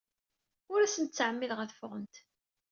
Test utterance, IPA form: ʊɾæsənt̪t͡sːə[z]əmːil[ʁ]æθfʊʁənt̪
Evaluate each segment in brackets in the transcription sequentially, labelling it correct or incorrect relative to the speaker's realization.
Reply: incorrect: ʕ, correct

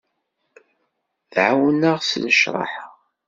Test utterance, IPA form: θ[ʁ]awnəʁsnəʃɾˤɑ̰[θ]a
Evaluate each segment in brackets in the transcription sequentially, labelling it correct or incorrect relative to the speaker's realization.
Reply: incorrect: ʕ, incorrect: ħ

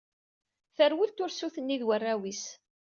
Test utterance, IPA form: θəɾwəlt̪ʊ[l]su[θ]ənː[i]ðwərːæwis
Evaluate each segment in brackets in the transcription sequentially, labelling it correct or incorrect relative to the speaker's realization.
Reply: incorrect: ɾ, correct, correct

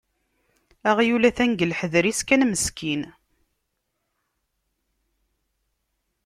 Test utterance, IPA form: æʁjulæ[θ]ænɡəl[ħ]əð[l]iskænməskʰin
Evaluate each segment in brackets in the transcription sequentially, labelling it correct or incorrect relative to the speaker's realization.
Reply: correct, correct, incorrect: ɾ

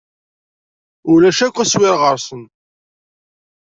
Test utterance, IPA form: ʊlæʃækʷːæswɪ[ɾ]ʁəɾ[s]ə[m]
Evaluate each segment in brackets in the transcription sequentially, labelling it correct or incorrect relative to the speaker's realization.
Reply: correct, correct, incorrect: n

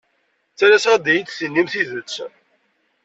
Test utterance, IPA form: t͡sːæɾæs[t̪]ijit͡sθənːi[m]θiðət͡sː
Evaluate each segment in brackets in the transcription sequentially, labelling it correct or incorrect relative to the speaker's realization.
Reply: incorrect: d̪, correct

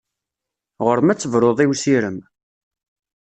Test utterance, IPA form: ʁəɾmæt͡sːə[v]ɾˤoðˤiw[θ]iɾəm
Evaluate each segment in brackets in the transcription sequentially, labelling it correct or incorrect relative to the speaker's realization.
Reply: correct, incorrect: s

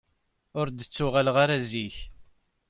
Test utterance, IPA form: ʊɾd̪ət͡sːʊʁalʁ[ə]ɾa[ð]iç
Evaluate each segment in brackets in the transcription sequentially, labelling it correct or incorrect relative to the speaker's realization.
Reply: incorrect: a, incorrect: z

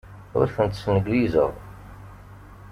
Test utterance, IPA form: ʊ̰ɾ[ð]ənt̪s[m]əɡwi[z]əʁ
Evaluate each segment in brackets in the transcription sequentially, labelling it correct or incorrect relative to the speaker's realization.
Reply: incorrect: θ, incorrect: n, correct

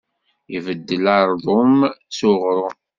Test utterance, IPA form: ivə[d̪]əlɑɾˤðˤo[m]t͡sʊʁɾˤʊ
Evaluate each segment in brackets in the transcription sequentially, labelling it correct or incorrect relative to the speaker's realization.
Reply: incorrect: d̪ː, correct

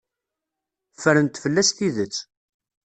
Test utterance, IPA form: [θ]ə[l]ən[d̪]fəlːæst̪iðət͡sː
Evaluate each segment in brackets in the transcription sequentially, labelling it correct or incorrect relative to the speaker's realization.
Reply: incorrect: f, incorrect: ɾ, incorrect: t̪

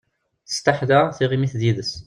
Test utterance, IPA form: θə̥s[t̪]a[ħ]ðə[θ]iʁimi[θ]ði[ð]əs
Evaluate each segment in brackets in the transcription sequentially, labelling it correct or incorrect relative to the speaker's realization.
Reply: correct, correct, correct, correct, correct

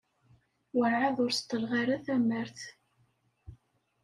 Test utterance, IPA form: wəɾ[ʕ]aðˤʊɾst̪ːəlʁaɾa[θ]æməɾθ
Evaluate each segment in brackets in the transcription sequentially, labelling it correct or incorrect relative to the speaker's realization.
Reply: correct, correct

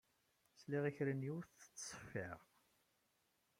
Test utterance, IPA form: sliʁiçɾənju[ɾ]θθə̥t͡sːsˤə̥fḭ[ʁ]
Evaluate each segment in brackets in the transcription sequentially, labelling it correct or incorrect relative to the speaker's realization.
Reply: correct, correct

